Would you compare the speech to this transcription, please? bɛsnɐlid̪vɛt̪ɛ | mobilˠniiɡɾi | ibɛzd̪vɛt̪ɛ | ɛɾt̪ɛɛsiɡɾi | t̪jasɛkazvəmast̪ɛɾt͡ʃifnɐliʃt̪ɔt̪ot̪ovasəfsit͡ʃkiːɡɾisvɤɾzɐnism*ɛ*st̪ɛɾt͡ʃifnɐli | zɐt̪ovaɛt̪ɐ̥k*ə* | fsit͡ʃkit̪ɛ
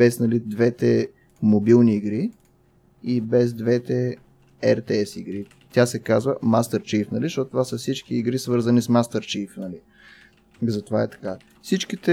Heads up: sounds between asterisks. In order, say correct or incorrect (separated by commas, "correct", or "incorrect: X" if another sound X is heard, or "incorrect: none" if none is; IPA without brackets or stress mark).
incorrect: a, incorrect: a